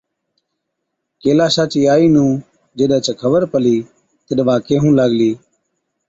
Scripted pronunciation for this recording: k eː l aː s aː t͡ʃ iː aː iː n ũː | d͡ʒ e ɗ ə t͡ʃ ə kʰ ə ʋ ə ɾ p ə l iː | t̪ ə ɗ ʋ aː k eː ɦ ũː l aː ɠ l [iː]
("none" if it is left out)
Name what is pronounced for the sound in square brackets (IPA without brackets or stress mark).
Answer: iː